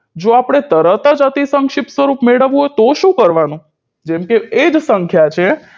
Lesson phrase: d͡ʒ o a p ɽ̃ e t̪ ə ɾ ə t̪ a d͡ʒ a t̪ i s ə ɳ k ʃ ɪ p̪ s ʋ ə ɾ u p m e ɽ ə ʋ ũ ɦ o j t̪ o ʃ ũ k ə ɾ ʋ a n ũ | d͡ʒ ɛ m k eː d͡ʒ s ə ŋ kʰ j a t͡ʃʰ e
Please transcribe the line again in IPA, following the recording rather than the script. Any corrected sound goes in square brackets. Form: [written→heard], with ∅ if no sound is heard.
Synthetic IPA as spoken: d͡ʒ o a p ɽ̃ e t̪ ə ɾ ə t̪ a d͡ʒ a t̪ i s ə [ɳ→ŋ] k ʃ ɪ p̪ s ʋ ə ɾ u p m e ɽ ə ʋ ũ ɦ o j t̪ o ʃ ũ k ə ɾ ʋ a n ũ | d͡ʒ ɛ m k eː d͡ʒ s ə ŋ kʰ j a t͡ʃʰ e

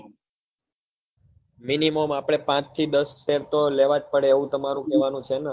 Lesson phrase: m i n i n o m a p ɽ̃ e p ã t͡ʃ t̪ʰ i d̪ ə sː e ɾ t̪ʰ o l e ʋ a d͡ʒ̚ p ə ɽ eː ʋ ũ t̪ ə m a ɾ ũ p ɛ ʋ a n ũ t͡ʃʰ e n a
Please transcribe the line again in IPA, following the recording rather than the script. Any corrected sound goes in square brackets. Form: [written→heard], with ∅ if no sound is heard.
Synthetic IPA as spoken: m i n i [n→m] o m a p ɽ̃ e p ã t͡ʃ t̪ʰ i d̪ ə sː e ɾ [t̪ʰ→t̪] o l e ʋ a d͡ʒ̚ p ə ɽ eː ʋ ũ t̪ ə m a ɾ ũ [p→k] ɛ ʋ a n ũ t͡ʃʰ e n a

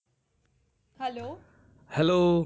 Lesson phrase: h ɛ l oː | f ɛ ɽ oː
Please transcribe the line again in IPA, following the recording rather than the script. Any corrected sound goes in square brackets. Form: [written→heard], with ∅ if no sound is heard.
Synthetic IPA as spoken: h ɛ l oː | [f→h] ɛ [ɽ→l] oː

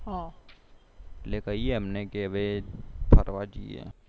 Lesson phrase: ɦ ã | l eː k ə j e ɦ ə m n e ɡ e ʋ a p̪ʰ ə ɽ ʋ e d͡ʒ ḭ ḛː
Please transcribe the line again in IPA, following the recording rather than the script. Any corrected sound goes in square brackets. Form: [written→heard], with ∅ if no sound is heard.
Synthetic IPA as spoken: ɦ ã | l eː k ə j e ɦ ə m n e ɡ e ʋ [a→e] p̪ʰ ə [ɽ→ɾ] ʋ [e→a] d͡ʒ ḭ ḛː

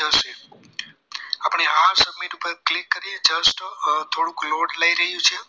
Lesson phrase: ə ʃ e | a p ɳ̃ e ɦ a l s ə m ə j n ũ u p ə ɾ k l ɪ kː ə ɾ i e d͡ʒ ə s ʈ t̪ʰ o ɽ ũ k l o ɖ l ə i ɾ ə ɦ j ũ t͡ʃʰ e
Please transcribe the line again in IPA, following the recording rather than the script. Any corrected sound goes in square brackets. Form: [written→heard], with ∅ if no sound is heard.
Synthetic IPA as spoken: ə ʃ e | a p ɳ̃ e ɦ a [l→ɾ] s ə m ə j n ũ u p ə ɾ k l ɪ kː ə ɾ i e d͡ʒ ə s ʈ t̪ʰ o ɽ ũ k l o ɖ l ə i ɾ ə ɦ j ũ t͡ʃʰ e

